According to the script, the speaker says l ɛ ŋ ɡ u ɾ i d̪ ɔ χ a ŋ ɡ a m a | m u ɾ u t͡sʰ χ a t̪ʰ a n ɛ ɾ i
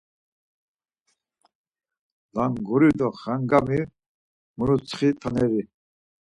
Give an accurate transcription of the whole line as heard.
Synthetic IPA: l a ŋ ɡ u ɾ i d̪ ɔ χ a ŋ ɡ a m i | m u ɾ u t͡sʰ χ i t̪ʰ a n ɛ ɾ i